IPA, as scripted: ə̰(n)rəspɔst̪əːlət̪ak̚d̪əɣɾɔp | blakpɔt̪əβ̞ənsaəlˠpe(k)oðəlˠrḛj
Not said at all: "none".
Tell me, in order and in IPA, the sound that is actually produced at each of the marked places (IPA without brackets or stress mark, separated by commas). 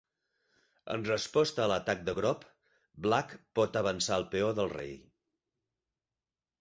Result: n, none